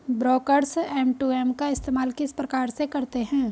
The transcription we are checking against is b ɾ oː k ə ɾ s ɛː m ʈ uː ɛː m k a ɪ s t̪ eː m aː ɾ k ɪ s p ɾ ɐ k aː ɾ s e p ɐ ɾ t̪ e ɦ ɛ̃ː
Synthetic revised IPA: b ɾ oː k ə ɾ s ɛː m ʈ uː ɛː m k a ɪ s t̪ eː m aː l k ɪ s p ɾ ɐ k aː ɾ s e k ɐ ɾ t̪ e ɦ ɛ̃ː